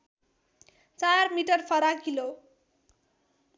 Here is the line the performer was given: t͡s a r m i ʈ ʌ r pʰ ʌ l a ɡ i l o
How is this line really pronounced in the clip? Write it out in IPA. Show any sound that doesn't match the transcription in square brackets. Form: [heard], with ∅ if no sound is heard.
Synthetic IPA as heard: t͡s a r m i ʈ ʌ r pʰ ʌ [ɾ] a [k] i l o